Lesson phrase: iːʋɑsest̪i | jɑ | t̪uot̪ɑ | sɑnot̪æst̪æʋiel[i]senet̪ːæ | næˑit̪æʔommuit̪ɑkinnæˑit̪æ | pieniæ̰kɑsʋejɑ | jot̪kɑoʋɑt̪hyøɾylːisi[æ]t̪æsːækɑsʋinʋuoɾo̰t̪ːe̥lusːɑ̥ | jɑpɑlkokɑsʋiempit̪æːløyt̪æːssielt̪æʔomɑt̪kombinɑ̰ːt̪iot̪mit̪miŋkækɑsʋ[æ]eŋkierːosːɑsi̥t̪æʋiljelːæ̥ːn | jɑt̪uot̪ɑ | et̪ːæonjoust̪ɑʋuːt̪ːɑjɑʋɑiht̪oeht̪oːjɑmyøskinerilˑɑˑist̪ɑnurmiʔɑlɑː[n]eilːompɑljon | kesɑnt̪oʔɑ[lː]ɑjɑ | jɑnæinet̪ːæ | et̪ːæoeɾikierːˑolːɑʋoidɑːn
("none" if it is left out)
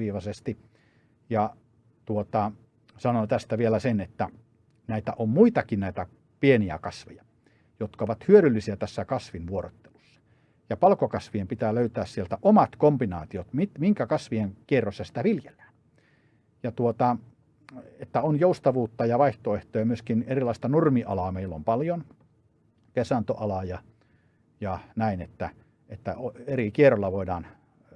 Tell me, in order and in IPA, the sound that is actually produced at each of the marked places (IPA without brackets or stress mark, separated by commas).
æ, æ, i, m, l